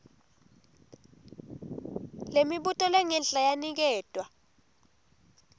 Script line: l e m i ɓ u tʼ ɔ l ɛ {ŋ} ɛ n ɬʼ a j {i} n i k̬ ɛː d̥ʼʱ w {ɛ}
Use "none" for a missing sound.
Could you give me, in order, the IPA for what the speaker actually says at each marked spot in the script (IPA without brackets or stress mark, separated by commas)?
ŋ, a, a